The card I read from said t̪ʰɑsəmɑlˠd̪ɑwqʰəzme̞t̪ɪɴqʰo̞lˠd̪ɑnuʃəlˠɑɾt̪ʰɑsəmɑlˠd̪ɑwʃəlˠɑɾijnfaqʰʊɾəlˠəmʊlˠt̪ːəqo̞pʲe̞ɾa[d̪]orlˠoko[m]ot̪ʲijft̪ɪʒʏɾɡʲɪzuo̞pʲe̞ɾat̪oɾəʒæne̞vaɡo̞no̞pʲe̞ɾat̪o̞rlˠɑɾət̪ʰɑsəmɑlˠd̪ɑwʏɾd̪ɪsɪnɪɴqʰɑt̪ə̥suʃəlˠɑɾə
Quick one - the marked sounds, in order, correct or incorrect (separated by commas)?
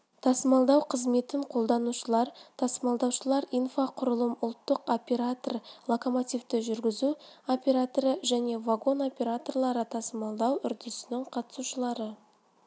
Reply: incorrect, correct